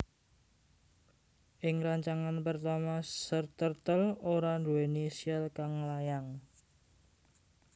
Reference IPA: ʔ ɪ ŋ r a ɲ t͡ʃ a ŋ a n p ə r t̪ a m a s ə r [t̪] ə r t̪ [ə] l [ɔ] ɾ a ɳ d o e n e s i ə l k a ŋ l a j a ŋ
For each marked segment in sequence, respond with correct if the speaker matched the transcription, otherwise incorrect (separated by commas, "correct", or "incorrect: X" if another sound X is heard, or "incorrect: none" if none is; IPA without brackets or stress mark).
correct, correct, incorrect: o